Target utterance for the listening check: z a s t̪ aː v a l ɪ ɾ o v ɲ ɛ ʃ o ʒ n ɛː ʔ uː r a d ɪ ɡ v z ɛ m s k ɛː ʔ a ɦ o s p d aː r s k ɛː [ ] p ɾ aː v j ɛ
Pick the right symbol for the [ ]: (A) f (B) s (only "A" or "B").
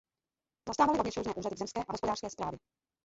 B